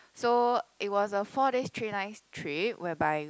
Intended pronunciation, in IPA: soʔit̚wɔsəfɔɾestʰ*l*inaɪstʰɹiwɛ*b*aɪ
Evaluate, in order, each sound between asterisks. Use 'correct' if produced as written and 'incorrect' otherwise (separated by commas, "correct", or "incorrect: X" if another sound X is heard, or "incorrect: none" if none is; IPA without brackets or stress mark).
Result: incorrect: ɹ, correct